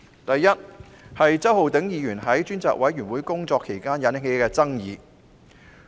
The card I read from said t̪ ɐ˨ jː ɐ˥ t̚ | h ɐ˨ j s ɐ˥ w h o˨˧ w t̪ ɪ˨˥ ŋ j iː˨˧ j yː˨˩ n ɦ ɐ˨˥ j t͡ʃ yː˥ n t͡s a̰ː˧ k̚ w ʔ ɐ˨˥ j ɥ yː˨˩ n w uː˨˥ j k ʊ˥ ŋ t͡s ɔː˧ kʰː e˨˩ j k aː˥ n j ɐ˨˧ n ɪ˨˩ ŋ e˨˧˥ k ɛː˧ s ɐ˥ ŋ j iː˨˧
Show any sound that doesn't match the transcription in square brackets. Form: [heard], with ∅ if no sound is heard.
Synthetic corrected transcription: t̪ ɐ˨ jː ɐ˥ t̚ | h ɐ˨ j [t͡s] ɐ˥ w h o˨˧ w t̪ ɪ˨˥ ŋ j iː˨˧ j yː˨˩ n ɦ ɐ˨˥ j t͡ʃ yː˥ n t͡s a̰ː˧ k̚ w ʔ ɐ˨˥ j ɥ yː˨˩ n w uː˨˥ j k ʊ˥ ŋ t͡s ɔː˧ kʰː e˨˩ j k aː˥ n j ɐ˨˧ n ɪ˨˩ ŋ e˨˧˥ k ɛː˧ [t͡s] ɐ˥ ŋ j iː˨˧